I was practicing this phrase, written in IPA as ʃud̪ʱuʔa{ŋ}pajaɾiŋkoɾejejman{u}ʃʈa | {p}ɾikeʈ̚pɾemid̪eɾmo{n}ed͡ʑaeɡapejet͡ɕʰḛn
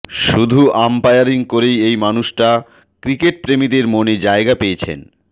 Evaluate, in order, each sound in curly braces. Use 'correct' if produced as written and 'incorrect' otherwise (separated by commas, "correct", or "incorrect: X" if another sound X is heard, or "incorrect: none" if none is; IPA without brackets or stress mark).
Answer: incorrect: m, correct, incorrect: k, correct